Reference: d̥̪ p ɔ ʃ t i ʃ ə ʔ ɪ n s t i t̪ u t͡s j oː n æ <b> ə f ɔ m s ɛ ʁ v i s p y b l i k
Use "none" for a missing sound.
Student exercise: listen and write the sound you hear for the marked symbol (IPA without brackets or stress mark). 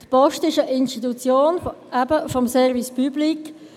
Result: b